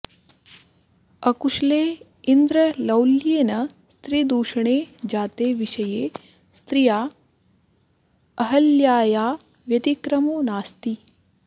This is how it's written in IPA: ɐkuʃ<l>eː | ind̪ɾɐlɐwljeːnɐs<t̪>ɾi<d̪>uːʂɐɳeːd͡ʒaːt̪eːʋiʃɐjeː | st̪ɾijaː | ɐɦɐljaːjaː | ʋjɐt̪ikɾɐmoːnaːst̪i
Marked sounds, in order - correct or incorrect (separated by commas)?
correct, correct, correct